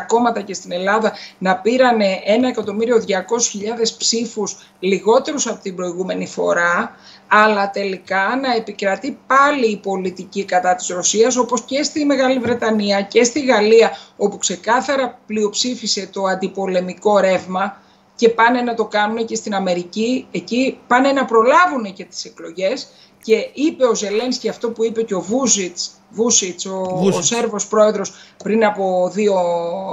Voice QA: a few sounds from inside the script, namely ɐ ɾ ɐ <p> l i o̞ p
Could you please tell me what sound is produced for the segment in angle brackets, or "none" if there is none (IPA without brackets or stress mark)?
p